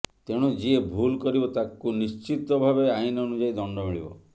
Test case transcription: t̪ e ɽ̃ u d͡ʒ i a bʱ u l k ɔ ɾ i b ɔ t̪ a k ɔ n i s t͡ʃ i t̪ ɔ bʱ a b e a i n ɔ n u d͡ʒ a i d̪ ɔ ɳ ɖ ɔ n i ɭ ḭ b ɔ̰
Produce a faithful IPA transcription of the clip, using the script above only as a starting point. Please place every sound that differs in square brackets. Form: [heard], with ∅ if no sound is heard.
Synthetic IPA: t̪ e ɽ̃ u d͡ʒ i [e] bʱ u l k ɔ ɾ i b ɔ t̪ a k [u] n i s t͡ʃ i t̪ ɔ bʱ a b e a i n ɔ n u d͡ʒ a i d̪ ɔ ɳ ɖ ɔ [m] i ɭ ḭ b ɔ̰